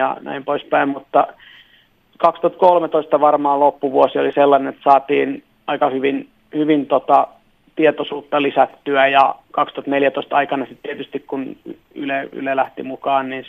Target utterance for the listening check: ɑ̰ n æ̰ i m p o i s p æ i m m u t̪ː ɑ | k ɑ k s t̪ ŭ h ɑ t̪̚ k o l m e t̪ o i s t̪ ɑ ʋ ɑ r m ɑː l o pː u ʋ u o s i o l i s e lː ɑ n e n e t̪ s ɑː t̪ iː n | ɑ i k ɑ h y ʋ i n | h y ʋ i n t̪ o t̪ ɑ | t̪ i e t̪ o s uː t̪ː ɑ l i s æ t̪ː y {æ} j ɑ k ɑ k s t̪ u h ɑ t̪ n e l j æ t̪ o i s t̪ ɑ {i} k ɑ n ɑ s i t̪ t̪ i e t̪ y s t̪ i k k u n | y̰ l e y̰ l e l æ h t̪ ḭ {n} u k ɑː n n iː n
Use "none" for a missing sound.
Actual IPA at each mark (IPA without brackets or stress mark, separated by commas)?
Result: æ, i, m